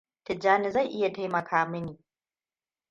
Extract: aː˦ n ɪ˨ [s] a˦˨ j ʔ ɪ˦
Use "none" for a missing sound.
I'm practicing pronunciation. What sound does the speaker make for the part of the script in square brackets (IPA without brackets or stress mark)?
z